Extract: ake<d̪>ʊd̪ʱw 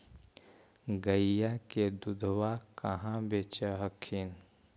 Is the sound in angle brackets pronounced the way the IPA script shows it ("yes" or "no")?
yes